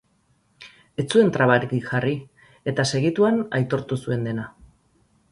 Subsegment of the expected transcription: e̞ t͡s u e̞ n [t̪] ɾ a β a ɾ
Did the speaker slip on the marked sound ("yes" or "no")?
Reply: no